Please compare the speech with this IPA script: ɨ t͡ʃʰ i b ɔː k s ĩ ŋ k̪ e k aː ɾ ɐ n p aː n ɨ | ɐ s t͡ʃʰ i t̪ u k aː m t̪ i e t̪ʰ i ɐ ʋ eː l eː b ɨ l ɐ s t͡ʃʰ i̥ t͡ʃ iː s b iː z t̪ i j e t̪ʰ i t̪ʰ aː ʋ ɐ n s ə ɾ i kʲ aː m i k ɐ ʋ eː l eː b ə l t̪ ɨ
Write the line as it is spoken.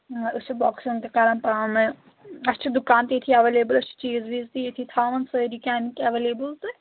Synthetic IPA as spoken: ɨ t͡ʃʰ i b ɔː k s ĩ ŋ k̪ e k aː ɾ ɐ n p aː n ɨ | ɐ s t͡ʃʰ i d̪ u k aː n t̪ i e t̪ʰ i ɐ ʋ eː l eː b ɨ l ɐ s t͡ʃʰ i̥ t͡ʃ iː z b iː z t̪ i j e t̪ʰ i t̪ʰ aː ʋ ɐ n s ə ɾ i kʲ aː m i k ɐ ʋ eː l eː b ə l t̪ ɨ